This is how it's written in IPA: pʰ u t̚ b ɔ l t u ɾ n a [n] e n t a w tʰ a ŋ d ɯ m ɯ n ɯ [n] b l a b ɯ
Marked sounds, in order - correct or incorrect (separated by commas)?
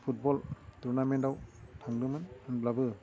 incorrect, correct